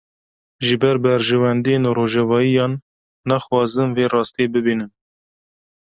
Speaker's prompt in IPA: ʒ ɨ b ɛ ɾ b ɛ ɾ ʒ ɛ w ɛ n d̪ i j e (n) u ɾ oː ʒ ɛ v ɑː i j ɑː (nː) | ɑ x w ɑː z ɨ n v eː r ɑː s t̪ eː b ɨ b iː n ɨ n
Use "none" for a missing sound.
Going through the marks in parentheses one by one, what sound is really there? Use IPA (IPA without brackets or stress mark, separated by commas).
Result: n, nː